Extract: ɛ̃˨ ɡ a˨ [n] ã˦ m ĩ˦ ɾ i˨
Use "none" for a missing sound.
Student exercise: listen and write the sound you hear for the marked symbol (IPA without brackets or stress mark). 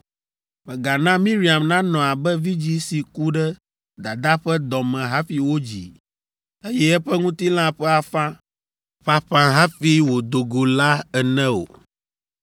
n